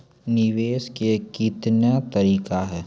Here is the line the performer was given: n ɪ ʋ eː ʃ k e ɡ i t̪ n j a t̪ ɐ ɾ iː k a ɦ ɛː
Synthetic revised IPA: n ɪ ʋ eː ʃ k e k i t̪ n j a t̪ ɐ ɾ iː k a ɦ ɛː